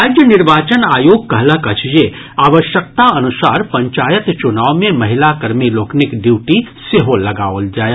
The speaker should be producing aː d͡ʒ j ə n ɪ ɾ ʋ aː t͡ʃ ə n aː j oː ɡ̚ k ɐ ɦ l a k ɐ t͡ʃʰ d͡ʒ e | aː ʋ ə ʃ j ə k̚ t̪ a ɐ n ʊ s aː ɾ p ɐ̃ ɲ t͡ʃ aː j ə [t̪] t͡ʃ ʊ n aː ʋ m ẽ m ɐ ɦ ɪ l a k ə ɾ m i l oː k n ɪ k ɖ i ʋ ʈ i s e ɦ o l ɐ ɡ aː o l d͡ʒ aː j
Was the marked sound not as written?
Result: no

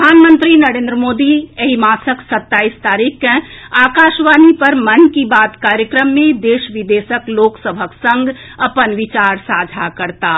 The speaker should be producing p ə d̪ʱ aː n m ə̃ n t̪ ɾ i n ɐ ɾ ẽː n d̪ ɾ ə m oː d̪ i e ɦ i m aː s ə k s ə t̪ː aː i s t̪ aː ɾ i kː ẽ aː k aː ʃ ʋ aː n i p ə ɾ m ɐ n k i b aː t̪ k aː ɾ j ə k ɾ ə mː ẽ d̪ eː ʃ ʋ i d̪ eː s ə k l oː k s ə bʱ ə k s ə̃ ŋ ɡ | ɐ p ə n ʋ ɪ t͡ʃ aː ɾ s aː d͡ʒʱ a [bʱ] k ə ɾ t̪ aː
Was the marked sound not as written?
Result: yes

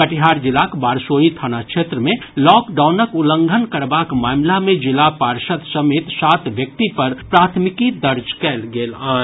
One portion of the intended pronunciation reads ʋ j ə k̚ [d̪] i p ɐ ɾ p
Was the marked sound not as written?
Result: yes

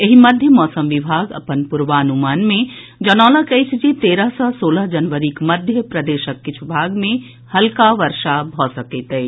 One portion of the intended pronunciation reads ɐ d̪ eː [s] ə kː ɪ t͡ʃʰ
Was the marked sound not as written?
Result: yes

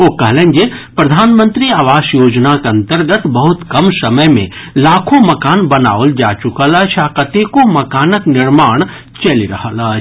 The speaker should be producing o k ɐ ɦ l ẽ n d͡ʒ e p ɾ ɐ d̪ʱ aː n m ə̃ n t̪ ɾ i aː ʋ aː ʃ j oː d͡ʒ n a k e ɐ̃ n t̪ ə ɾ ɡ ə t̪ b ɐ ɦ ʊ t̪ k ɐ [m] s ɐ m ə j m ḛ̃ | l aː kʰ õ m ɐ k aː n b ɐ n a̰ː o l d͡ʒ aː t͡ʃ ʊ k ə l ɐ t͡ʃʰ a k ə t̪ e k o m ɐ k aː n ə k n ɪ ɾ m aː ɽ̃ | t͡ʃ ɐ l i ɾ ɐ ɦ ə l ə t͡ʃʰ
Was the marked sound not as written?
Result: no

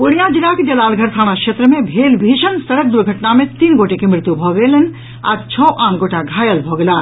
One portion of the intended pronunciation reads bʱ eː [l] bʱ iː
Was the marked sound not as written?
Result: no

